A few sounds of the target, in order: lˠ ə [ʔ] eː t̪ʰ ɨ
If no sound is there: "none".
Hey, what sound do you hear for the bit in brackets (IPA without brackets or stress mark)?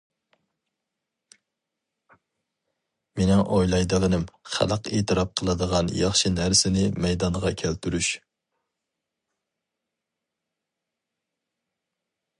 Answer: q